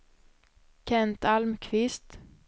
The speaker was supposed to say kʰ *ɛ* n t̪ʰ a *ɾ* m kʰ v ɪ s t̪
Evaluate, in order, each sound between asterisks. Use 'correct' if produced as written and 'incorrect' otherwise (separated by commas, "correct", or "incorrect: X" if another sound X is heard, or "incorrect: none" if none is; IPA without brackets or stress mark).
correct, incorrect: l